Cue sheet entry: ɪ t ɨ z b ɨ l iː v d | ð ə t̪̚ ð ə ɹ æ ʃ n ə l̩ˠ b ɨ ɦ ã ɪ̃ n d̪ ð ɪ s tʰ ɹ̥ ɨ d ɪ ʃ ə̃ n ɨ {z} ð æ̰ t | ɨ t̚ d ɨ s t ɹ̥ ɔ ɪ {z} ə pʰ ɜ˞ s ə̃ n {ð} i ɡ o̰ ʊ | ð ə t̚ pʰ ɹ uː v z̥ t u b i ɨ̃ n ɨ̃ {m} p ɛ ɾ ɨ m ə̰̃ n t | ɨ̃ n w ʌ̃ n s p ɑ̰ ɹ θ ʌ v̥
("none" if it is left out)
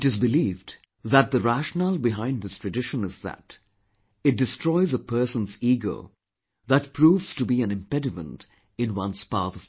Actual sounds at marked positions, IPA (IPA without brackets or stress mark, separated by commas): z, z, z, m